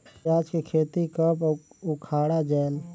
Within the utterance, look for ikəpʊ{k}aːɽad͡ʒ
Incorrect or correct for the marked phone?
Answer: incorrect: kʰ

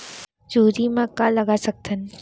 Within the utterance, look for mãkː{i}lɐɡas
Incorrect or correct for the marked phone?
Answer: incorrect: a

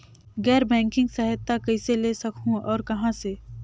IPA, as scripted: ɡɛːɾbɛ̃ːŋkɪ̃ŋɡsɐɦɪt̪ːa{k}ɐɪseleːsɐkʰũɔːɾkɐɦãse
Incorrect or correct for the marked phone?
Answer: correct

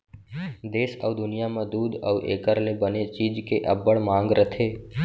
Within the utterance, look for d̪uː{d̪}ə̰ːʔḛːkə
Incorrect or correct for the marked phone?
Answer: correct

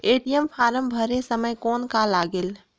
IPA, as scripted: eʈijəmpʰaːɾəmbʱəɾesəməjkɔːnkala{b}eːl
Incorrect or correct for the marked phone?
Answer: incorrect: ɡ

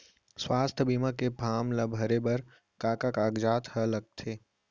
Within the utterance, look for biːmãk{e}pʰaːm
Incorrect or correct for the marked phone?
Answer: correct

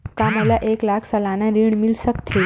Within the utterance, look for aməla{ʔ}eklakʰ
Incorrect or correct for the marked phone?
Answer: correct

